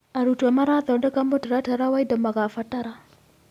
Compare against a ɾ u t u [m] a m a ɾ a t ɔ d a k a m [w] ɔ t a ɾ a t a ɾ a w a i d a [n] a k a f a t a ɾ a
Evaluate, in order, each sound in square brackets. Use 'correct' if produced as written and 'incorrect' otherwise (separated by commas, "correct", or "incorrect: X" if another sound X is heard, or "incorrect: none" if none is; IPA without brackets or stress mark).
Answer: incorrect: none, incorrect: b, incorrect: m